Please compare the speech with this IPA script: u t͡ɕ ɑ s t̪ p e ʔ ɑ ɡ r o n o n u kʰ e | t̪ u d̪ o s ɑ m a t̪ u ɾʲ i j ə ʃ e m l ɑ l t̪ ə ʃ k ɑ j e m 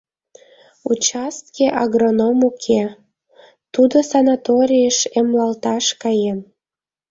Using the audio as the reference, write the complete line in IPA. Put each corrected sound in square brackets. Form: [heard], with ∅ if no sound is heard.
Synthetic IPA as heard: u t͡ɕ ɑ s t̪ [k] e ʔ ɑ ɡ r o n o [m] u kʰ e | t̪ u d̪ o s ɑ [n] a t̪ [o] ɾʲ i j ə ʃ e m l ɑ l t̪ [ɑ] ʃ k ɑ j e m